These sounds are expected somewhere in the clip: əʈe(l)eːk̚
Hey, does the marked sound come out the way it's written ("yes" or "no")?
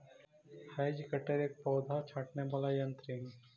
no